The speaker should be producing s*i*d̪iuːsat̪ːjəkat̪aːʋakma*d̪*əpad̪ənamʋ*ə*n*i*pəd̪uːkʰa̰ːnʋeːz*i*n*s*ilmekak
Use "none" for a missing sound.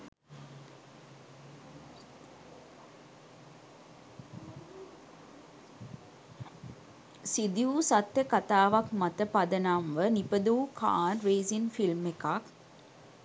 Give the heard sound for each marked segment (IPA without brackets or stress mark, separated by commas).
i, t̪, ə, i, i, f